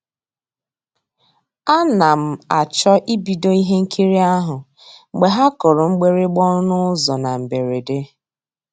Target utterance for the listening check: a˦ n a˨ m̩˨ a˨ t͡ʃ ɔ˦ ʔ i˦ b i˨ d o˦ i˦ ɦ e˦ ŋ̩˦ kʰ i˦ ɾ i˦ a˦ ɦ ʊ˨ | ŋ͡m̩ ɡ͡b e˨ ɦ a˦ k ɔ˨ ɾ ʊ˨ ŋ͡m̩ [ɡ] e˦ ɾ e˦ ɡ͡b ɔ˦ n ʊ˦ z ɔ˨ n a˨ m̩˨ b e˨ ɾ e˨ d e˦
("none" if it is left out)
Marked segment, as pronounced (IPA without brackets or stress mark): ɡ͡b